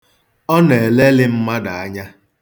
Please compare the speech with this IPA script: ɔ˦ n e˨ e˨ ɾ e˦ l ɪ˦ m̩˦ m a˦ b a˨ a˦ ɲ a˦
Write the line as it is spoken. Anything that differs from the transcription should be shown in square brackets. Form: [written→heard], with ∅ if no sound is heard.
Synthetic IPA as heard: ɔ˦ n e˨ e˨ [ɾ→l] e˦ l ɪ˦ m̩˦ m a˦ [b→d] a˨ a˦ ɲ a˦